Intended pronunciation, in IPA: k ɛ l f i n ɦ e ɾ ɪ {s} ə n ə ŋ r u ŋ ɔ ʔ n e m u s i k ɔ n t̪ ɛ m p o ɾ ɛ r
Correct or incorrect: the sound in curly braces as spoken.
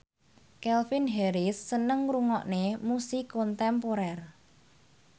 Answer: incorrect: sː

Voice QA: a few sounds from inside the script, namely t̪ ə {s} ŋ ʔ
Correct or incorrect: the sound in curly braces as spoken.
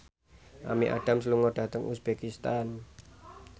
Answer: incorrect: none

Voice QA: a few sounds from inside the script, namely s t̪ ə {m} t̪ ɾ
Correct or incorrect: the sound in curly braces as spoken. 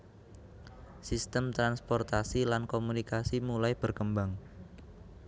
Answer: correct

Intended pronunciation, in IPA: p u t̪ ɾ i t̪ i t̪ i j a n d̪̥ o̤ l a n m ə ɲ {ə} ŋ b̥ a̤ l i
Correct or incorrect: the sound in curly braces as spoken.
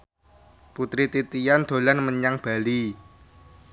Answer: incorrect: a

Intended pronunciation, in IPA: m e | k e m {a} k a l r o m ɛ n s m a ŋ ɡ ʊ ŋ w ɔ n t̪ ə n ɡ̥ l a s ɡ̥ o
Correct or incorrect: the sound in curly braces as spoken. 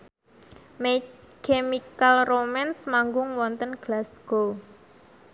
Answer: incorrect: i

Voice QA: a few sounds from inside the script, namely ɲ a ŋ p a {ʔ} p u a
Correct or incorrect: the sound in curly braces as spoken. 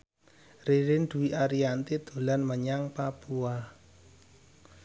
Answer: incorrect: none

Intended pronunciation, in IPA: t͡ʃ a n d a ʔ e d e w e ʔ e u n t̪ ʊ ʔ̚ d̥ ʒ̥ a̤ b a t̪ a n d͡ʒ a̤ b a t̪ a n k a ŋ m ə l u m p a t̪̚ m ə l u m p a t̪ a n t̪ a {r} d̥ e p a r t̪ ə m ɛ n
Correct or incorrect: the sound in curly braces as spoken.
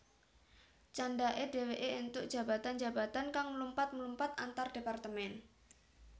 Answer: correct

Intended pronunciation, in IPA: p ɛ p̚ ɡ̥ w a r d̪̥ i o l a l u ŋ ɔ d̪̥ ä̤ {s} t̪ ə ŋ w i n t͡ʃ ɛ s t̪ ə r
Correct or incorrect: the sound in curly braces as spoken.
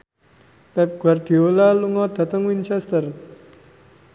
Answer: incorrect: none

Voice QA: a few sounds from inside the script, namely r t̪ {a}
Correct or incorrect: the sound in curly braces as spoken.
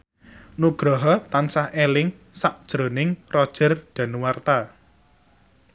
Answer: correct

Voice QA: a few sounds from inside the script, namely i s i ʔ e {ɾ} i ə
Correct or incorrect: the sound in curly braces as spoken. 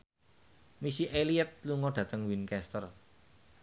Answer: incorrect: l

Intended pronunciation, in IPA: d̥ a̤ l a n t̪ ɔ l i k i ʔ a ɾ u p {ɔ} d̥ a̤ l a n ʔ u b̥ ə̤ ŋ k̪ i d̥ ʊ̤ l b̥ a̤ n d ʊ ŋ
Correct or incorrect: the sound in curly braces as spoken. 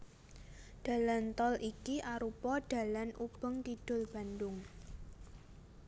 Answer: correct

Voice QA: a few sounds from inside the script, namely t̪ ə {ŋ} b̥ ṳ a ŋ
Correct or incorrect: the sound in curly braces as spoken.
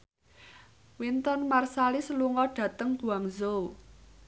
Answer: correct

